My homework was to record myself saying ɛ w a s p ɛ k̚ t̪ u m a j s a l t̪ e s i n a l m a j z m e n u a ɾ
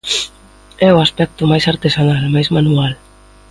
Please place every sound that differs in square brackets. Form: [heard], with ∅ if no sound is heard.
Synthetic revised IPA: ɛ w a s p ɛ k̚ t̪ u m a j s a [ɾ] t̪ e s [a] n a l m a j z m [a] n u a [l]